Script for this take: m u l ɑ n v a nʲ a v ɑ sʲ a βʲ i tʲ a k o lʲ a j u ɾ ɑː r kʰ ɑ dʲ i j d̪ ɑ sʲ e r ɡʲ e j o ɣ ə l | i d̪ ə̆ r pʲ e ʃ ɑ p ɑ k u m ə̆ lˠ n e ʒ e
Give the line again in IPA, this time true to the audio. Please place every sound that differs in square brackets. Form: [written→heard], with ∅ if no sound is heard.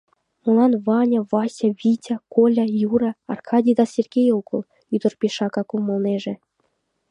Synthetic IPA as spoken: m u l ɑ n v [a→ɑ] nʲ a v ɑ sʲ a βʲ i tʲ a k o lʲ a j u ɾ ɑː r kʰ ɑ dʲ i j d̪ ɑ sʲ e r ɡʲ e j o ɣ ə l | [i→y] d̪ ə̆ r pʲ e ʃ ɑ [p→k] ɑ k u m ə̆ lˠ n e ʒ e